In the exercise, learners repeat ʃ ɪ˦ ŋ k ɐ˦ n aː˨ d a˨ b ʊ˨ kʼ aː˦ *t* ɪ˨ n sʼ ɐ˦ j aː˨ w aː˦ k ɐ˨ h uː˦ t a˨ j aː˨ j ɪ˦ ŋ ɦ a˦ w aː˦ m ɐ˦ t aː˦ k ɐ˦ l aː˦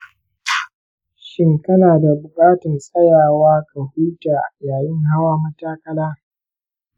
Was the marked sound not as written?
no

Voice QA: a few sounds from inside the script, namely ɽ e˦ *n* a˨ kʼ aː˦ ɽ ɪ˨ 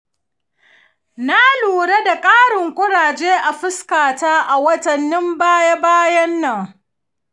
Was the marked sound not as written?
yes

